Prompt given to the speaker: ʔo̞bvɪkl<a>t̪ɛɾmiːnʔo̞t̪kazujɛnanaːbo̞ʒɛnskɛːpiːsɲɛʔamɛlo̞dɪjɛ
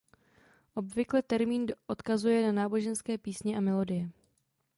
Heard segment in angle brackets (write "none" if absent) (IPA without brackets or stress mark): ɛ